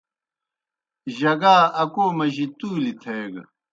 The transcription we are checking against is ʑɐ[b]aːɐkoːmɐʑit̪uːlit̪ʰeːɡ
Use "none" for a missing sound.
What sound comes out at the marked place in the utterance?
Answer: ɡ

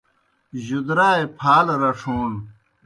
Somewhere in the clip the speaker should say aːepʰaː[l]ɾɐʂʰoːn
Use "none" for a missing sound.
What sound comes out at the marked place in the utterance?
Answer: l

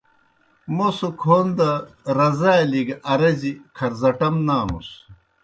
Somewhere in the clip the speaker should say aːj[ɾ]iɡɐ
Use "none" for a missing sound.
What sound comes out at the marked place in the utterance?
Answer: l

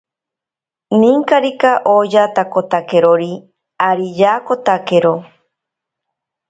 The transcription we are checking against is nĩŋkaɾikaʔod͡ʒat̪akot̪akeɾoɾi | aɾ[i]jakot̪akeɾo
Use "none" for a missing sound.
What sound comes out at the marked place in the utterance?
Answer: i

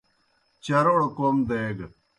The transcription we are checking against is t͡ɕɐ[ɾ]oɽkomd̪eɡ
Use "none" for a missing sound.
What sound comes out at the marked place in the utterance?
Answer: ɾ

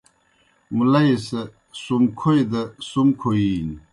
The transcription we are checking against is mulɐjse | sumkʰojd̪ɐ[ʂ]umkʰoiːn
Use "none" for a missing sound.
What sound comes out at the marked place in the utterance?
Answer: s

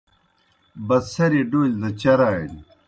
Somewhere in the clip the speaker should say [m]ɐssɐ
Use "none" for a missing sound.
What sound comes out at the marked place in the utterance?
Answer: b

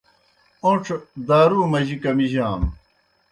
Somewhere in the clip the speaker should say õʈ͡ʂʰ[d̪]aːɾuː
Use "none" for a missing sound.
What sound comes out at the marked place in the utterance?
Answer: d̪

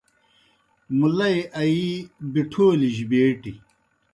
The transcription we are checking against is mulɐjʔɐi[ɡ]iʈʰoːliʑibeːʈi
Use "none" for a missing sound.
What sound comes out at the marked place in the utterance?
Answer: b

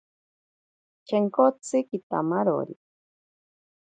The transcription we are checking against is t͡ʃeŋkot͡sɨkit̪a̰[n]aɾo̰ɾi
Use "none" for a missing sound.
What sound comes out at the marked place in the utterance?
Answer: m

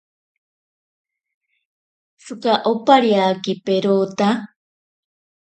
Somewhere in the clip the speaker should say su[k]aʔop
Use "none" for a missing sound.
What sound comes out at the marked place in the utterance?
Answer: k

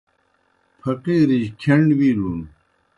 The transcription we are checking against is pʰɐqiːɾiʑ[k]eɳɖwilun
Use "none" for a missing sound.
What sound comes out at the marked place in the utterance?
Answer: kʰ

